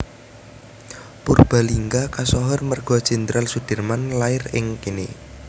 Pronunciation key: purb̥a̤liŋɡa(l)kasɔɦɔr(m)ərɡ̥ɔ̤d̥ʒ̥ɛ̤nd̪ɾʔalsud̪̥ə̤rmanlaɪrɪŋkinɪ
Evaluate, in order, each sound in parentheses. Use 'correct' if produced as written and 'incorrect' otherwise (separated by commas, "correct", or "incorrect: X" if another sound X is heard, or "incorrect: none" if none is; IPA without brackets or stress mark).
incorrect: none, correct